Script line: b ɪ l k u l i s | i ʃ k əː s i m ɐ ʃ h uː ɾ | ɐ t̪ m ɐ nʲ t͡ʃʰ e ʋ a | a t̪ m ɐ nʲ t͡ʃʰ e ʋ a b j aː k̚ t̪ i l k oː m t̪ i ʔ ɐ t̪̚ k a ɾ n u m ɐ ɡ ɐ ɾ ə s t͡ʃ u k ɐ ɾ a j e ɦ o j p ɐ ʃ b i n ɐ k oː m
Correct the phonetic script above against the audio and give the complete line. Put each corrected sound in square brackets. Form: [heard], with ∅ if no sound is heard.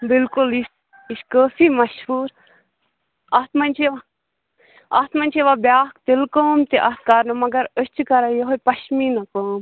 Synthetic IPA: b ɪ l k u l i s | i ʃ k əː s i m ɐ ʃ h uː ɾ | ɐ t̪ m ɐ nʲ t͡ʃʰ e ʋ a | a t̪ m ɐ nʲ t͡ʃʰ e ʋ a b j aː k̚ t̪ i l k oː m t̪ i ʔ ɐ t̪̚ k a ɾ n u m ɐ ɡ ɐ ɾ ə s t͡ʃ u k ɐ ɾ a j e ɦ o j p ɐ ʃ [m] i n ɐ k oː m